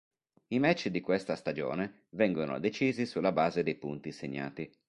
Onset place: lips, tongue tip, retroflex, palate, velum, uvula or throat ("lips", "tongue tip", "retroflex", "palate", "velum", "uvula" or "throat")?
lips